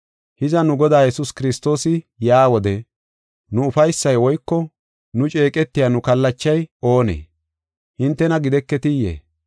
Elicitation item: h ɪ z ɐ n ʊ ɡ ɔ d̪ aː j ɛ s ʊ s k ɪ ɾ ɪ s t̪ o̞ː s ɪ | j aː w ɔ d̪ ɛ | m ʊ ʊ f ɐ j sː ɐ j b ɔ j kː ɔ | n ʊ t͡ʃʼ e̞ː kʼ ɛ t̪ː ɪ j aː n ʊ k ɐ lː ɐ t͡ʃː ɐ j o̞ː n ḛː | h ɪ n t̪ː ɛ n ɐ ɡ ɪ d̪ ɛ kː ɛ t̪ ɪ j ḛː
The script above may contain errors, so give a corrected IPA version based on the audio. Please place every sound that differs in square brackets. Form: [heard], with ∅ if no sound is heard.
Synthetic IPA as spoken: h ɪ z ɐ n ʊ ɡ ɔ d̪ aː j ɛ s ʊ s k ɪ ɾ ɪ s t̪ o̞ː s ɪ | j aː w ɔ d̪ ɛ | [n] ʊ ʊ f ɐ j sː ɐ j [w] ɔ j kː ɔ | n ʊ t͡ʃʼ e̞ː kʼ ɛ t̪ː ɪ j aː n ʊ k ɐ lː ɐ t͡ʃː ɐ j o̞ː n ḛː | h ɪ n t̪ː ɛ n ɐ ɡ ɪ d̪ ɛ kː ɛ t̪ ɪ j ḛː

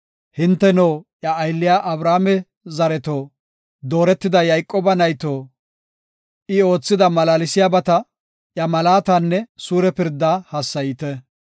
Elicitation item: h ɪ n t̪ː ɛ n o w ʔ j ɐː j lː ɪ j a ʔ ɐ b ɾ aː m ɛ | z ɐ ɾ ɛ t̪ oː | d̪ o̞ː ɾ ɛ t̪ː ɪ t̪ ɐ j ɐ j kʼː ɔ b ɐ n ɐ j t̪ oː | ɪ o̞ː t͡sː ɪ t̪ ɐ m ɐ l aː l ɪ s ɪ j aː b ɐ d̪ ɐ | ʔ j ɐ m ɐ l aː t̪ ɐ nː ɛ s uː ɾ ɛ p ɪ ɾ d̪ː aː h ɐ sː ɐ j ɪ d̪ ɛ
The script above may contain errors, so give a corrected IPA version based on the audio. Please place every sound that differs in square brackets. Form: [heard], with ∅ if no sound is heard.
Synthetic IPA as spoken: h ɪ n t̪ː ɛ n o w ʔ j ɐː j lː ɪ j a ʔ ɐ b ɾ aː m ɛ | z ɐ ɾ ɛ t̪ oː | d̪ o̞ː ɾ ɛ t̪ː ɪ [d̪] ɐ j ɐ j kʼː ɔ b ɐ n ɐ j t̪ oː | ɪ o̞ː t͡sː ɪ [d̪] ɐ m ɐ l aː l ɪ s ɪ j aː b ɐ [t̪] ɐ | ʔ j ɐ m ɐ l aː t̪ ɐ nː ɛ s uː ɾ ɛ p ɪ ɾ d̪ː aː h ɐ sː ɐ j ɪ [t̪] ɛ

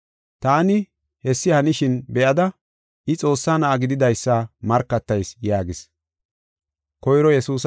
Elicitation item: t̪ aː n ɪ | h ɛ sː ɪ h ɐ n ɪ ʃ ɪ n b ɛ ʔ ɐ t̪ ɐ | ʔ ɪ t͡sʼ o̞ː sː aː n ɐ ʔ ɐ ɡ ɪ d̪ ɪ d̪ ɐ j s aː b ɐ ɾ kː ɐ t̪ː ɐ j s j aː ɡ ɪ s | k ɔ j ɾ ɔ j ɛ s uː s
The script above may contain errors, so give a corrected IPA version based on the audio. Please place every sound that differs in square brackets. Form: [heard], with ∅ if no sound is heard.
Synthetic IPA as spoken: t̪ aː n ɪ | h ɛ sː ɪ h ɐ n ɪ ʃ ɪ n b ɛ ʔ ɐ [d̪] ɐ | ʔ ɪ t͡sʼ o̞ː sː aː n ɐ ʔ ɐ ɡ ɪ d̪ ɪ d̪ ɐ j [sː] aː [m] ɐ ɾ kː ɐ t̪ː ɐ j s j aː ɡ ɪ s | k ɔ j ɾ ɔ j ɛ s uː s

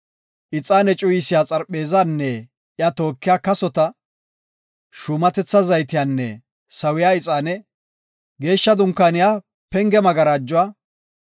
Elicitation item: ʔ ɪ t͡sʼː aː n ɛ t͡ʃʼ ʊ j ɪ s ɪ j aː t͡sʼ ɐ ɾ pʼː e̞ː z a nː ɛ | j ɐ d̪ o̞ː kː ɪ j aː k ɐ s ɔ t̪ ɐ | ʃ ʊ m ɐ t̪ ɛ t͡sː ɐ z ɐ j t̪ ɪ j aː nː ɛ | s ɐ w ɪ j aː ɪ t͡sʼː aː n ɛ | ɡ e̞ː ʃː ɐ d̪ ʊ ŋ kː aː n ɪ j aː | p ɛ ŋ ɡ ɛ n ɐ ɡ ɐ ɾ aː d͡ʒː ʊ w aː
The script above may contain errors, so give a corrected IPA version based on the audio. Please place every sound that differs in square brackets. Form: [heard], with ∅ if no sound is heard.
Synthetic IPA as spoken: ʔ ɪ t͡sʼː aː n ɛ t͡ʃʼ ʊ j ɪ s ɪ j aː t͡sʼ ɐ ɾ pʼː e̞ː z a nː ɛ | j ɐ [t̪] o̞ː kː ɪ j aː k ɐ s ɔ t̪ ɐ | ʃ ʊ m ɐ t̪ ɛ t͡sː ɐ z ɐ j t̪ ɪ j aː nː ɛ | s ɐ w ɪ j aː ɪ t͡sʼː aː n ɛ | ɡ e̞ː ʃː ɐ d̪ ʊ ŋ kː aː n ɪ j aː | p ɛ ŋ ɡ ɛ [m] ɐ ɡ ɐ ɾ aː d͡ʒː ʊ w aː

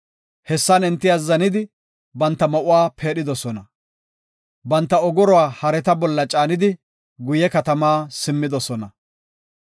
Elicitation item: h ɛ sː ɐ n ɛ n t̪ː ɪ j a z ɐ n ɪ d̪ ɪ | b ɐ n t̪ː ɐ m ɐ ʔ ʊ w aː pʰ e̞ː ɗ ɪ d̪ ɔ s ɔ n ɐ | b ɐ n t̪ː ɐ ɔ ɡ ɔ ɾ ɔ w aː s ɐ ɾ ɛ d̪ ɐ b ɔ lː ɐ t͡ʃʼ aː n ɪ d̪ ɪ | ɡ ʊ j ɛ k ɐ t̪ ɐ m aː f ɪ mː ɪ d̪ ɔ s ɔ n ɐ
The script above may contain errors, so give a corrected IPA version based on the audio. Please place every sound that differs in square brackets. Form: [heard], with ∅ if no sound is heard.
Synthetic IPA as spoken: h ɛ sː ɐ n ɛ n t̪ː ɪ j a z ɐ n ɪ d̪ ɪ | b ɐ n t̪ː ɐ m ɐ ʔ ʊ w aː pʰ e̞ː ɗ ɪ d̪ ɔ s ɔ n ɐ | b ɐ n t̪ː ɐ ɔ ɡ ɔ ɾ ɔ w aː [h] ɐ ɾ ɛ [t̪] ɐ b ɔ lː ɐ t͡ʃʼ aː n ɪ d̪ ɪ | ɡ ʊ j ɛ k ɐ t̪ ɐ m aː [s] ɪ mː ɪ d̪ ɔ s ɔ n ɐ

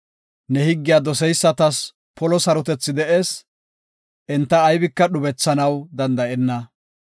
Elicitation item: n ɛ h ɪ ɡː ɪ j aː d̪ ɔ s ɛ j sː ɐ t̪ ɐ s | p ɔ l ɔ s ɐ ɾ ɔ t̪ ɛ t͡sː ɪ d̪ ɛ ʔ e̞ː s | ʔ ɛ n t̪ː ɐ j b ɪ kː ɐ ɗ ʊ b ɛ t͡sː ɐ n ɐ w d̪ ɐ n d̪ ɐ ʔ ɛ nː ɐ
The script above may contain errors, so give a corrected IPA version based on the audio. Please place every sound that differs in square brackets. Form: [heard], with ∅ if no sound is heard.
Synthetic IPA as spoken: n ɛ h ɪ ɡː ɪ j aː d̪ ɔ s ɛ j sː ɐ t̪ ɐ s | p ɔ l ɔ s ɐ ɾ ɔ t̪ ɛ t͡sː ɪ d̪ ɛ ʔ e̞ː s | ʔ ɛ n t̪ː [ɐː] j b ɪ kː ɐ ɗ ʊ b ɛ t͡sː ɐ n ɐ w d̪ ɐ n d̪ ɐ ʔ ɛ nː ɐ

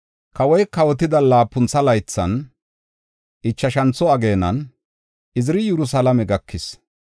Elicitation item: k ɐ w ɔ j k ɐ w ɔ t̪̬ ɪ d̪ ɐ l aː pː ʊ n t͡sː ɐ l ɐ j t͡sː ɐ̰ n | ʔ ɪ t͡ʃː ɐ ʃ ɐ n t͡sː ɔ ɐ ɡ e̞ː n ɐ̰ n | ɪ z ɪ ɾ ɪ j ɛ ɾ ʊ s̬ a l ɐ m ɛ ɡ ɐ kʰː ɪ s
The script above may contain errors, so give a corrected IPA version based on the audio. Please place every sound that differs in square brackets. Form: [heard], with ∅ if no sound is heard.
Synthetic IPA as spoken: k ɐ w ɔ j k ɐ w ɔ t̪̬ ɪ d̪ ɐ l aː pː ʊ n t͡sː ɐ l ɐ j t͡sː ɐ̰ n | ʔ ɪ t͡ʃː ɐ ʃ ɐ n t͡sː ɔ ɐ ɡ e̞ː n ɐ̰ n | ɪ z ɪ ɾ ɪ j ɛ ɾ ʊ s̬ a l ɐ m ɛ ɡ ɐ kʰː ɪ s

